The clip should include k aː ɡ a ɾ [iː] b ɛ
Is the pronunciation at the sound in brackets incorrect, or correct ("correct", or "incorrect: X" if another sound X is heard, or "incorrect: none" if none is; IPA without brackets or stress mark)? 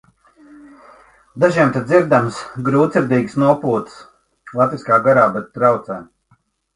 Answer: incorrect: aː